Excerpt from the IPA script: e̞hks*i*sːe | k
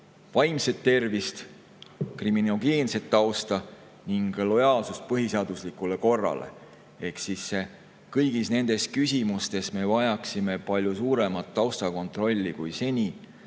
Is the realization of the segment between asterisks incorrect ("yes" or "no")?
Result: no